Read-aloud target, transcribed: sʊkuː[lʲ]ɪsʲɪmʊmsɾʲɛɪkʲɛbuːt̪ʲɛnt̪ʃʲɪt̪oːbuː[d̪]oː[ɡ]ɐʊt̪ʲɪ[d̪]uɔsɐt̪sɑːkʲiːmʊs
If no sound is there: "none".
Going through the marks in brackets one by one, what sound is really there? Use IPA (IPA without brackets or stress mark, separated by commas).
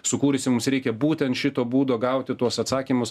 ɾʲ, d̪, ɡ, t̪